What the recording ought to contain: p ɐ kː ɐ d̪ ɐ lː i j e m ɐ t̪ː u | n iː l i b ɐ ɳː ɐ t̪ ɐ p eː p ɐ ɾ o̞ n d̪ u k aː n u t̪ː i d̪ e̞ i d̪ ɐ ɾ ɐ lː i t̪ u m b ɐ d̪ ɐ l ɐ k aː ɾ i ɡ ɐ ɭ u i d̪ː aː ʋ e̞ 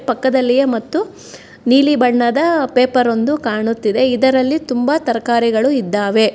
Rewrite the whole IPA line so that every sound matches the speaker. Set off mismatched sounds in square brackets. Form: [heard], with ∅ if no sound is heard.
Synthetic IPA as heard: p ɐ kː ɐ d̪ ɐ lː i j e m ɐ t̪ː u | n iː l i b ɐ ɳː ɐ [d̪] ɐ p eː p ɐ ɾ o̞ n d̪ u k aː [ɳ] u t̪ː i d̪ e̞ i d̪ ɐ ɾ ɐ lː i t̪ u m b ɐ [t̪] ɐ [ɾ] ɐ k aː ɾ i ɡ ɐ ɭ u i d̪ː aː ʋ e̞